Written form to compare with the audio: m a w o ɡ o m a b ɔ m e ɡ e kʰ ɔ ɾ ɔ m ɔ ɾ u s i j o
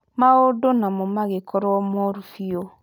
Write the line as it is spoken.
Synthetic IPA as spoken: m a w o d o n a m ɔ m a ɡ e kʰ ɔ ɾ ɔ m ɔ ɾ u f i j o